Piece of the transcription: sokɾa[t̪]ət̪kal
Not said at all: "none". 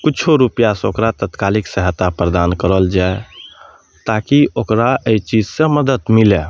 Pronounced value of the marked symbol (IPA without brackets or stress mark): t̪